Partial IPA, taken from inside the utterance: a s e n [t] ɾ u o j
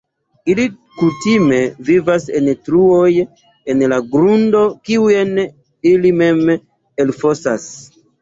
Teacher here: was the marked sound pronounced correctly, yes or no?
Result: yes